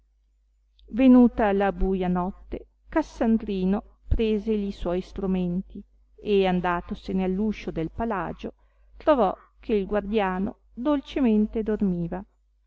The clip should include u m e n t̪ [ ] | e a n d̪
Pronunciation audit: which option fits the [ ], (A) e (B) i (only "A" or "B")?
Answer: B